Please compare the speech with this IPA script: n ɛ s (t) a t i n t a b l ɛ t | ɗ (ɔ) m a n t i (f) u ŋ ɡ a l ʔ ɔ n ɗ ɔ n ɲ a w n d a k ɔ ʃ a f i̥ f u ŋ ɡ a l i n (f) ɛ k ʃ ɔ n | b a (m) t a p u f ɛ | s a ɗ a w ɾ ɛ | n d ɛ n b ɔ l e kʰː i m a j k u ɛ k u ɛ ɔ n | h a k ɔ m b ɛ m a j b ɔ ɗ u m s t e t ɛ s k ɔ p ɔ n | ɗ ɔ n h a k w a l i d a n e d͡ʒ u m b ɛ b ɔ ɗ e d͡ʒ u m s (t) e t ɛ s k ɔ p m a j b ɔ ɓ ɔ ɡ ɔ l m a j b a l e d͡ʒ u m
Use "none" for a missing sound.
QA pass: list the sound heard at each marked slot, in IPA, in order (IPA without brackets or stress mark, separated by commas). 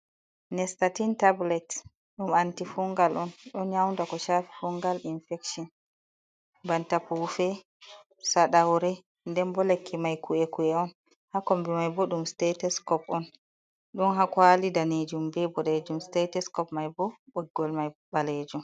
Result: t, u, f, f, n, t